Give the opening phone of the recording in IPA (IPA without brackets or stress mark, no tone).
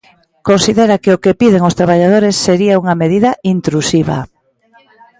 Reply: k